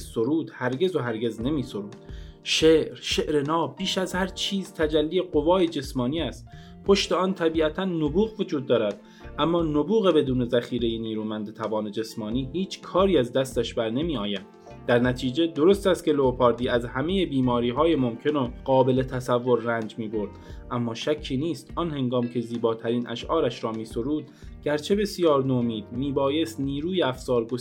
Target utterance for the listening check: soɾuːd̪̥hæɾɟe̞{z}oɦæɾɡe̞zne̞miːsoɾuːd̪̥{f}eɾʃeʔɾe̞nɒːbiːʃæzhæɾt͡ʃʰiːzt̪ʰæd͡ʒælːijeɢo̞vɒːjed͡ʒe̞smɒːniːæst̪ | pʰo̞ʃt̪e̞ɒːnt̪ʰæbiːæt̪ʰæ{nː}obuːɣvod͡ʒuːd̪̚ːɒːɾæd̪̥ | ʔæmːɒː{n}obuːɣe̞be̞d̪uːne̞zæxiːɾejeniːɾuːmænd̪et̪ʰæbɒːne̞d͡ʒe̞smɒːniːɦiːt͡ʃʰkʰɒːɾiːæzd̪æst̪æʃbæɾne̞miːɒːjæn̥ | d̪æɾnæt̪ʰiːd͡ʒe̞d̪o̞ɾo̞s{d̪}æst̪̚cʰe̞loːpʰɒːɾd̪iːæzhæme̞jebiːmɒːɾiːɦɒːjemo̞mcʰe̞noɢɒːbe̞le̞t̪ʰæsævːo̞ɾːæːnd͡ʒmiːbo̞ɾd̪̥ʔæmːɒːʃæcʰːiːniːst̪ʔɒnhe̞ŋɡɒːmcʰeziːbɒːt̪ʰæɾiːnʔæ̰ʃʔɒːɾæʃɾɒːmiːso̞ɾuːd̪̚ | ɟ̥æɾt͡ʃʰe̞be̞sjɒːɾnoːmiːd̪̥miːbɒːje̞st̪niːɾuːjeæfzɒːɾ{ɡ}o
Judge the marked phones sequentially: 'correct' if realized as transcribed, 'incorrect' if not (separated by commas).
correct, incorrect, correct, correct, incorrect, correct